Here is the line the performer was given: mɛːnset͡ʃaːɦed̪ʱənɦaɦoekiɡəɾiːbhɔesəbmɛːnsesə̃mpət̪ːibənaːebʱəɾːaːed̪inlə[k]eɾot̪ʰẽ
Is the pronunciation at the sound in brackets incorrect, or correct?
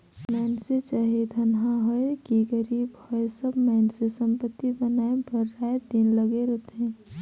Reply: incorrect